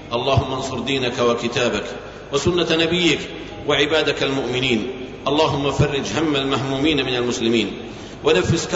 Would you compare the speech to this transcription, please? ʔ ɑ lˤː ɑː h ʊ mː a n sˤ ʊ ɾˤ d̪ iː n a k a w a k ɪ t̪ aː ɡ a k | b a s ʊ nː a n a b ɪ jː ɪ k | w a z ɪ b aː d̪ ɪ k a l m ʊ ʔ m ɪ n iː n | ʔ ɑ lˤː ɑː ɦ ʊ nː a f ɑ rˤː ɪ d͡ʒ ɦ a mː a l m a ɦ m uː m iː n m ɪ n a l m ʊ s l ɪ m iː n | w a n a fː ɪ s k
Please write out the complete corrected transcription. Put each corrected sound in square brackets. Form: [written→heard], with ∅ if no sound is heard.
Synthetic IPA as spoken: ʔ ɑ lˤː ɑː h ʊ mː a n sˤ ʊ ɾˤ d̪ iː n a k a w a k ɪ t̪ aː [ɡ→b] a k | [b→w] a s ʊ nː a n a b ɪ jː ɪ k | w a [z→ʕ] ɪ b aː d̪ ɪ k a l m ʊ ʔ m ɪ n iː n | ʔ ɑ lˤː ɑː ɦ ʊ [nː→mː] a f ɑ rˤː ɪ d͡ʒ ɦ a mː a l m a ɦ m uː m iː n m ɪ n a l m ʊ s l ɪ m iː n | w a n a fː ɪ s k